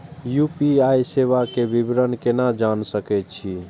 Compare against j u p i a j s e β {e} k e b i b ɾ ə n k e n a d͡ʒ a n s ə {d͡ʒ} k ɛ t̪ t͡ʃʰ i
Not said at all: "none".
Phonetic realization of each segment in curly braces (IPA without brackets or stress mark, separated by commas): a, none